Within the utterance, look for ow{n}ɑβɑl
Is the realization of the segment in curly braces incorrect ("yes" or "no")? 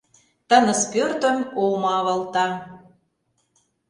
yes